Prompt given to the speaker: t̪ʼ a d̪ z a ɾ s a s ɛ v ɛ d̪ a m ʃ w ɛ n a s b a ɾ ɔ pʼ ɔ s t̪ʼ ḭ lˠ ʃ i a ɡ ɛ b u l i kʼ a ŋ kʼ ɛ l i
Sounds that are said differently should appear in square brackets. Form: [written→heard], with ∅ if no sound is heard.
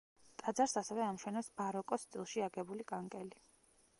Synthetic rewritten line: t̪ʼ a d̪ z a ɾ s a s ɛ v ɛ [d̪→∅] a m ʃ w ɛ n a s b a ɾ ɔ [pʼ→kʼ] ɔ s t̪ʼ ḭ lˠ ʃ i a ɡ ɛ b u l i kʼ a ŋ kʼ ɛ l i